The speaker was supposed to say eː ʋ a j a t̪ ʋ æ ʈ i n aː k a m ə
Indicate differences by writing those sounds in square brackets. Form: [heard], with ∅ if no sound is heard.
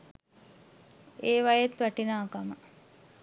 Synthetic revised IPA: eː ʋ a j [e] t̪ ʋ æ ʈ i n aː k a m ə